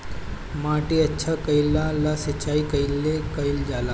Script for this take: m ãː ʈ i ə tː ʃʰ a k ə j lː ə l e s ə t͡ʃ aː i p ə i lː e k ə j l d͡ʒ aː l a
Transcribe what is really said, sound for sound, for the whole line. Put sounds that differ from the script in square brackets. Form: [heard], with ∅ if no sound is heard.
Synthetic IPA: m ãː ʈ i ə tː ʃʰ a k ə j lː [a] l [a] s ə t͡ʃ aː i [k] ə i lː e k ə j l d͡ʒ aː l a